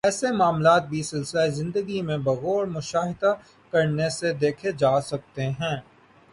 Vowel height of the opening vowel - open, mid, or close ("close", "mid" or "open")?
mid